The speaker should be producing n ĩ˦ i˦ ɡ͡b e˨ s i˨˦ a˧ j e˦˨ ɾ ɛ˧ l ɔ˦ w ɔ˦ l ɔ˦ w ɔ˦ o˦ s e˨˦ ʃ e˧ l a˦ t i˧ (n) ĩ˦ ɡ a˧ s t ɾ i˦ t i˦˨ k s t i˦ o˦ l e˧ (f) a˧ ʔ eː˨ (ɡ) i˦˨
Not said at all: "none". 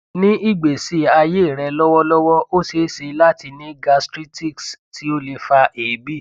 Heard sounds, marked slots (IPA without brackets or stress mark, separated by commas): n, f, b